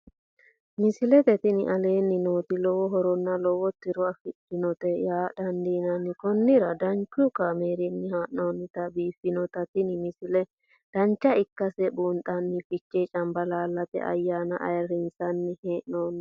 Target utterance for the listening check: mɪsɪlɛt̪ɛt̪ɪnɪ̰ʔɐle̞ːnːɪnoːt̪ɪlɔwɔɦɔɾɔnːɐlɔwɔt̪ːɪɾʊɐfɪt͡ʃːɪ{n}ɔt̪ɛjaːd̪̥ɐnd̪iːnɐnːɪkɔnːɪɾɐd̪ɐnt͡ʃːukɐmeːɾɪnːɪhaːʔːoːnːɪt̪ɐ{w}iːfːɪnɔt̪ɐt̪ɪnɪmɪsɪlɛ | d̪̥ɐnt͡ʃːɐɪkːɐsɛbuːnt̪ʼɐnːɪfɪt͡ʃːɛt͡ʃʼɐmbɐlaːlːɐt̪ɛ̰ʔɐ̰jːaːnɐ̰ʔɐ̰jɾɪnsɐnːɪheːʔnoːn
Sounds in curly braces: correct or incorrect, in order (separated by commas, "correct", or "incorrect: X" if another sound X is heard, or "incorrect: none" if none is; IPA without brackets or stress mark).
correct, incorrect: b